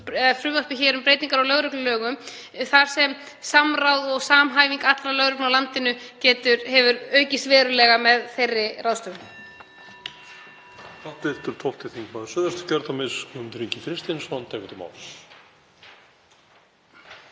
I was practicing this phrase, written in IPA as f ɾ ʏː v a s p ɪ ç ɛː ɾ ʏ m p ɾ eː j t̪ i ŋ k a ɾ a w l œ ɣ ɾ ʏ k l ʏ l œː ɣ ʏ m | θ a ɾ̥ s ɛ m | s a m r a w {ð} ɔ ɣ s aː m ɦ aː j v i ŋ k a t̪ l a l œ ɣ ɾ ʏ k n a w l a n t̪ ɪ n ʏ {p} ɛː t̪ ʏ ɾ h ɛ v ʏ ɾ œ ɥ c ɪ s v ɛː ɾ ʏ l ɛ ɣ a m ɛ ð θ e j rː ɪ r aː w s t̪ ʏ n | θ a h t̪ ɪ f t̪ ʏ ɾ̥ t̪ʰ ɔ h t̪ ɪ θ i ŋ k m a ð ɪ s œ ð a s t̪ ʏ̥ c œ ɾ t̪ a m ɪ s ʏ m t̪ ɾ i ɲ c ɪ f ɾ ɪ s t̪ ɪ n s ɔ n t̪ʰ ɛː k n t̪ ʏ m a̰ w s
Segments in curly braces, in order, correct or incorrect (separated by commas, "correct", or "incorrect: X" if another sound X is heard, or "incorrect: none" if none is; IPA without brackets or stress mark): correct, incorrect: c